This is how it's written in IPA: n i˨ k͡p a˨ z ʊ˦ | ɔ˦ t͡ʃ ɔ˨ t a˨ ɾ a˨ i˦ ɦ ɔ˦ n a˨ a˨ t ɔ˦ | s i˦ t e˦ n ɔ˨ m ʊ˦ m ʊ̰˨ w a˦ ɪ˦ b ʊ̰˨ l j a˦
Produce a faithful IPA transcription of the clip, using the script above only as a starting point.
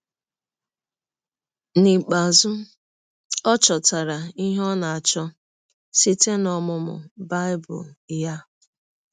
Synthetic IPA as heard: n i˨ k͡p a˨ z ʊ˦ | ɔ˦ t͡ʃ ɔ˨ t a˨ ɾ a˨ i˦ ɦ ɔ˦ n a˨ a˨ t͡ʃ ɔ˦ | s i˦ t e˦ n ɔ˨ m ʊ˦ m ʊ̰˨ b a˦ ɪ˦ b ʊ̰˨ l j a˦